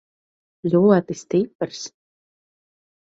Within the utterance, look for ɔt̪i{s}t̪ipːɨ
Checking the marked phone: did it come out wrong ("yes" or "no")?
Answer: no